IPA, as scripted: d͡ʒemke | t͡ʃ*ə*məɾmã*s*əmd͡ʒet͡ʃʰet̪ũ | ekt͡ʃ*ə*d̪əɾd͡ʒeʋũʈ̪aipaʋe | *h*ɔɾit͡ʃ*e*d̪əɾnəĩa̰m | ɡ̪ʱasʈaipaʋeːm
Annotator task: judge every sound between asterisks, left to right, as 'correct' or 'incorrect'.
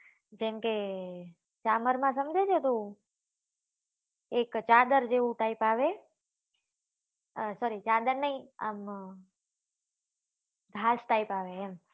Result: incorrect, correct, incorrect, incorrect, incorrect

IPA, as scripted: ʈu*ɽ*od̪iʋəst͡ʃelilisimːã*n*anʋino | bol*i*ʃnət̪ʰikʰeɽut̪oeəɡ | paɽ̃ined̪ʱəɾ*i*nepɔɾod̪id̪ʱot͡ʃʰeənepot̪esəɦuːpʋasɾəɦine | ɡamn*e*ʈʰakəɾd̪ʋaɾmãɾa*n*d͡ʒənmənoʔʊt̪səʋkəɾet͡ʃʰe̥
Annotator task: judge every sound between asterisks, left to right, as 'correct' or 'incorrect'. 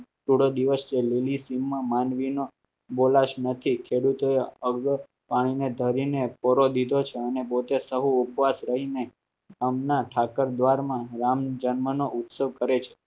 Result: correct, incorrect, incorrect, correct, incorrect, incorrect

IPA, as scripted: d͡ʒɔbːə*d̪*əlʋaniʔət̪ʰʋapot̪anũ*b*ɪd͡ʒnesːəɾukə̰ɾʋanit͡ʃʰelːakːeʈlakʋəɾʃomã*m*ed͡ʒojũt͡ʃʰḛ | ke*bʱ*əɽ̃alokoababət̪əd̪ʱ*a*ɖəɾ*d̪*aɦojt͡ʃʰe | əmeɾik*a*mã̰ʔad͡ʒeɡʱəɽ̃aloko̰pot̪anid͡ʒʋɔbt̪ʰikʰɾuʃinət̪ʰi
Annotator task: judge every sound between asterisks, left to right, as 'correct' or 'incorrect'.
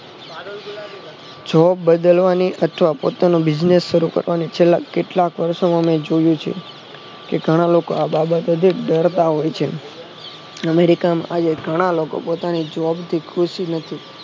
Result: correct, correct, correct, incorrect, incorrect, incorrect, correct

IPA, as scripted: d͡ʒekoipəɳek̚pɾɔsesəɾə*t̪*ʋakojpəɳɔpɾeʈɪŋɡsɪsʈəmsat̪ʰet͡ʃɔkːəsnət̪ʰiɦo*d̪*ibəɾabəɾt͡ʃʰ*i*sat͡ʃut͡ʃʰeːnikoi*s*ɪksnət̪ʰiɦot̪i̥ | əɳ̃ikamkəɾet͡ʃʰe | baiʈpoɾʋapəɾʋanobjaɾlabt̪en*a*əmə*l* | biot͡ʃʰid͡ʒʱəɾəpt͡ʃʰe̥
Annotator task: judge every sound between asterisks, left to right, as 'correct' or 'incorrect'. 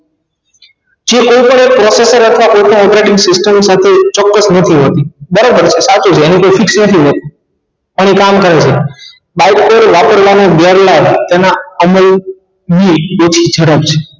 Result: incorrect, incorrect, incorrect, incorrect, correct, correct

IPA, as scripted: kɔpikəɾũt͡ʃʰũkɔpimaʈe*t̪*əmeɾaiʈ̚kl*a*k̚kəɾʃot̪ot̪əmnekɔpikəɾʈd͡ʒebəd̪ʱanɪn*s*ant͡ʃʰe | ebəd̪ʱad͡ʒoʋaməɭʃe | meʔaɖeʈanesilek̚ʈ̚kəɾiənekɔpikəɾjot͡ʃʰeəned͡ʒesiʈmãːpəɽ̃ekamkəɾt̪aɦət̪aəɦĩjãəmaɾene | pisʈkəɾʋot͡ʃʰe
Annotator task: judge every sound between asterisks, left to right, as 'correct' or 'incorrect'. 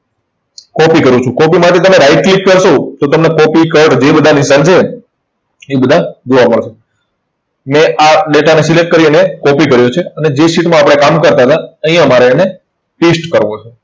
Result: correct, incorrect, correct

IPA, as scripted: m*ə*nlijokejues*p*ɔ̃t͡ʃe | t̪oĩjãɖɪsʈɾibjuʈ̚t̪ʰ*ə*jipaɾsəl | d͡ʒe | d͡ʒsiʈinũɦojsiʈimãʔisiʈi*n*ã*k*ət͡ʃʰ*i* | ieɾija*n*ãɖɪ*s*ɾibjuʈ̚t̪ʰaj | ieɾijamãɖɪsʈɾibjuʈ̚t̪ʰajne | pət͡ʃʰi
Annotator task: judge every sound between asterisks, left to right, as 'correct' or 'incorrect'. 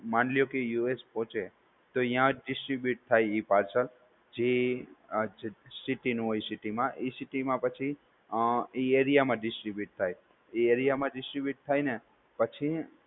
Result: incorrect, correct, incorrect, incorrect, incorrect, correct, incorrect, correct

